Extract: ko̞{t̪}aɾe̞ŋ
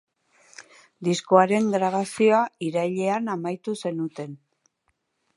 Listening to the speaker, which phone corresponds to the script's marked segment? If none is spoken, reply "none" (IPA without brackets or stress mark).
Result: none